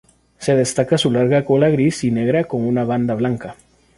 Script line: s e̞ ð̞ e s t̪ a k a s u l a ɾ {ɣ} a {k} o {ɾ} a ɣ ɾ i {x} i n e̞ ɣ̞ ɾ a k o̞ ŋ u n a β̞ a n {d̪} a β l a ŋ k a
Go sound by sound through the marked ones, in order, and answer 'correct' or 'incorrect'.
correct, correct, incorrect, incorrect, correct

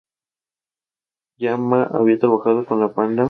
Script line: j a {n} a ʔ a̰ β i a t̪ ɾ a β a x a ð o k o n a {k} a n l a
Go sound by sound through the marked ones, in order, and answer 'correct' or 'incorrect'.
incorrect, incorrect

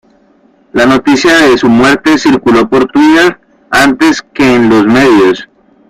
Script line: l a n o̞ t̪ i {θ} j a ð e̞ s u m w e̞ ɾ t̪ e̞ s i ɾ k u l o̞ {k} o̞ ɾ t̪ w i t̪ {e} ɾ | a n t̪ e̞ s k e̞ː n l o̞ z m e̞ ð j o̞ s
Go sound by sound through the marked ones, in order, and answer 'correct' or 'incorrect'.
incorrect, incorrect, correct

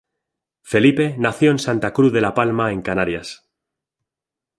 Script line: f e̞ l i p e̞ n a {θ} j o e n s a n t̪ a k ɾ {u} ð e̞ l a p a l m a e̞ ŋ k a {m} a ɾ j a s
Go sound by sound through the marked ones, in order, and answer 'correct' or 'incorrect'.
correct, correct, incorrect

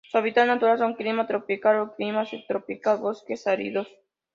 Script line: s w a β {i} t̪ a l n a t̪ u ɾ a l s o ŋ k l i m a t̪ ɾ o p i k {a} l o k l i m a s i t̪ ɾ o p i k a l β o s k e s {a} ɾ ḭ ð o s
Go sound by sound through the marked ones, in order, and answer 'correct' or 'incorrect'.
correct, correct, correct

